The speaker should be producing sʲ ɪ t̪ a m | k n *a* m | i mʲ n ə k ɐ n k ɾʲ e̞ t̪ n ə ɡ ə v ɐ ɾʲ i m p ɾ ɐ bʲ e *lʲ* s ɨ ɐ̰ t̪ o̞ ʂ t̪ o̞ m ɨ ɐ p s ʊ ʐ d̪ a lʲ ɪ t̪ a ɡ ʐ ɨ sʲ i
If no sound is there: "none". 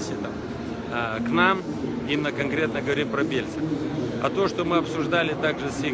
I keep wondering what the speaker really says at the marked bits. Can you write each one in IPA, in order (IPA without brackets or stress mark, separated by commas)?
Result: a, lʲ